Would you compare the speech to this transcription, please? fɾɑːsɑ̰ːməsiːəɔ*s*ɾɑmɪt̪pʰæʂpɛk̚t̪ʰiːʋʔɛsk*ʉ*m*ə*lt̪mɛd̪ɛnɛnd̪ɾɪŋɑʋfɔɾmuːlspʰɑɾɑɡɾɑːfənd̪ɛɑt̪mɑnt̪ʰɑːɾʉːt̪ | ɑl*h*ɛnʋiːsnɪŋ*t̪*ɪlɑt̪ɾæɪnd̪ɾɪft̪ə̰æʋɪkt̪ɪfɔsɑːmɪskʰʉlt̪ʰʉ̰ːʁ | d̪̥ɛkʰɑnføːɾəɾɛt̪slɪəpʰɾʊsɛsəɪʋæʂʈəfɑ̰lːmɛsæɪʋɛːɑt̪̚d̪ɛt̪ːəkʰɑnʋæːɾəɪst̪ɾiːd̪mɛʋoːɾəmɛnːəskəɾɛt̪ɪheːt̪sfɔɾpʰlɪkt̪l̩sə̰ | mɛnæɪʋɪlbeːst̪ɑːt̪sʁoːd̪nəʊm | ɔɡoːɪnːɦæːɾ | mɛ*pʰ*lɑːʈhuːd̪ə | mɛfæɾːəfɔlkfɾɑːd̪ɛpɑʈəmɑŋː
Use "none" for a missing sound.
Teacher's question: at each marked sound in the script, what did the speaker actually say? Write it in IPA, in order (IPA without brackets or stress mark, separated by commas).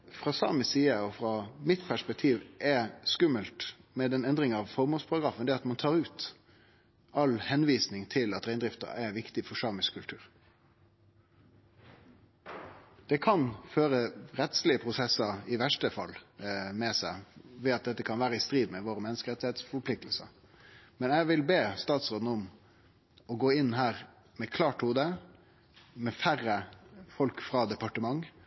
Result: f, ʉ, ə, h, t̪ʰ, kʰ